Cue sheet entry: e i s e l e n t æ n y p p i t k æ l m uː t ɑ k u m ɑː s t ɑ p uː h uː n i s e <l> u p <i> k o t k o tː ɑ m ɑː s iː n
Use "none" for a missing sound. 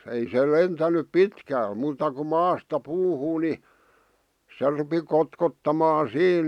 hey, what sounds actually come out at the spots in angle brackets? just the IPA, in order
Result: r, i

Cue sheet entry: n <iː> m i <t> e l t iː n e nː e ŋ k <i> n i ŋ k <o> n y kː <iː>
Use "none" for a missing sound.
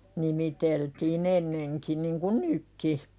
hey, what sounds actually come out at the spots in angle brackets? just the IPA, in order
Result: i, t, i, u, i

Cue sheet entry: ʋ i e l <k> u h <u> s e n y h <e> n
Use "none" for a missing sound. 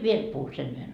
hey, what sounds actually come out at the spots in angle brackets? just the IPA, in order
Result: p, u, e

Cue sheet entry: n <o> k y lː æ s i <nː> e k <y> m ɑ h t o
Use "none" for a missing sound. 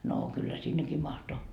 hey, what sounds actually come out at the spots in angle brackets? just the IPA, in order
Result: oː, nː, i

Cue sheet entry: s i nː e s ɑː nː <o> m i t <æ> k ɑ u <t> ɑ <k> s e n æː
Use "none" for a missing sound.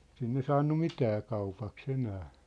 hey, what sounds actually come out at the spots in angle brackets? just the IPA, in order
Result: u, æː, p, k

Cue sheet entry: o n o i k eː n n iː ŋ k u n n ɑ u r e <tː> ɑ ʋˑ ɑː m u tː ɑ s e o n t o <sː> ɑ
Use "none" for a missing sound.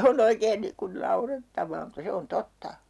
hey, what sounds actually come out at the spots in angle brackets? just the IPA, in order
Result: tː, tː

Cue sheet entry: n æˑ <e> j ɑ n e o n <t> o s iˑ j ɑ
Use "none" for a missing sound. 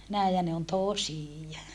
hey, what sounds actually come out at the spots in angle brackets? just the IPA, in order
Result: i, t

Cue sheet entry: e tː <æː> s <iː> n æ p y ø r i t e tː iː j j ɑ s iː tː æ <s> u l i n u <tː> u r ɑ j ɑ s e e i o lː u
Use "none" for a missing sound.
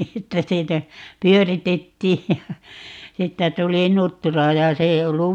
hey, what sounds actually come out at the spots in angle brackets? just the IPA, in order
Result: æ, iː, t, tː

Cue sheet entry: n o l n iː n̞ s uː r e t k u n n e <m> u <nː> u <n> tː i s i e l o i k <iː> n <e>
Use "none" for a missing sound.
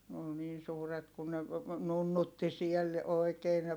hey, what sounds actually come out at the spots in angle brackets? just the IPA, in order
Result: n, nː, none, eː, e

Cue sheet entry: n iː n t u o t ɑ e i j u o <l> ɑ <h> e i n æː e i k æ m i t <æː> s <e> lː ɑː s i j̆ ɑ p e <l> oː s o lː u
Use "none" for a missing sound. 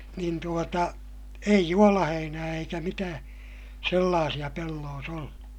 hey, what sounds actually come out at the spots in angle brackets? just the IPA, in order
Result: l, h, æː, e, lː

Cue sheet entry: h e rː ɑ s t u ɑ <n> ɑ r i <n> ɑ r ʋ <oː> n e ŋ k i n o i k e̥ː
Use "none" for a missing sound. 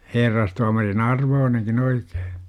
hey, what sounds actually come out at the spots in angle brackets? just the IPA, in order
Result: m, n, oː

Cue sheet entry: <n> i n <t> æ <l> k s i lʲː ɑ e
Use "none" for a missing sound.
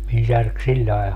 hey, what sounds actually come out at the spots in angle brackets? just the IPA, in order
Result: m, s, r

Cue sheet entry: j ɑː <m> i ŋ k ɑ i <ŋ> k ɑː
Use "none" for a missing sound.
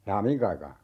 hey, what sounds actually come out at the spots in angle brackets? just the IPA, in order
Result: m, none

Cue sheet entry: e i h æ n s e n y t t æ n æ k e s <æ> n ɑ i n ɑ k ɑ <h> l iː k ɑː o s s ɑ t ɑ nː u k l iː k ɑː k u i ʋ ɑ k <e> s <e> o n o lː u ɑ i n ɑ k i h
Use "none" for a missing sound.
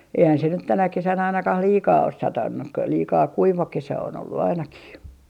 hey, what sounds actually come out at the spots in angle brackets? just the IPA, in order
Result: æ, h, e, æ

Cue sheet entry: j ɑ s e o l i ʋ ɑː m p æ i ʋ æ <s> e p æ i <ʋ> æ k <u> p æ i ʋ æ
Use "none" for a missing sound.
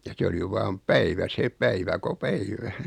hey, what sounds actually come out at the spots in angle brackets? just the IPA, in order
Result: s, ʋ, o

